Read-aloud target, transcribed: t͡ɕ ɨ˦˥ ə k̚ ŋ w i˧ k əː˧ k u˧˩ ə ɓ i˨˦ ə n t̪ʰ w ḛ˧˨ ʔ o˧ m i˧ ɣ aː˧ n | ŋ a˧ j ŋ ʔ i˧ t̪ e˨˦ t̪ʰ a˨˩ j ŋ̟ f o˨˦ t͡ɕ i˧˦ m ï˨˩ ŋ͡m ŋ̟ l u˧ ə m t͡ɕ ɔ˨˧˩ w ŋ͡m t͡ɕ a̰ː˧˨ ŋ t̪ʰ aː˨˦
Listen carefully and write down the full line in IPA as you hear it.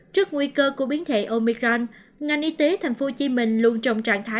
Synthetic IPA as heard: t͡ɕ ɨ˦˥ ə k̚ ŋ w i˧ k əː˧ k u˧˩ ə ɓ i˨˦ ə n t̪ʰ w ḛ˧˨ ʔ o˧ m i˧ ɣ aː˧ n | ŋ a˨˩ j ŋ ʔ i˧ t̪ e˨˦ t̪ʰ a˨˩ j ŋ̟ f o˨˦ t͡ɕ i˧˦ m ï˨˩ ŋ̟ l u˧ ə n t͡ɕ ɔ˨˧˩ w ŋ͡m t͡ɕ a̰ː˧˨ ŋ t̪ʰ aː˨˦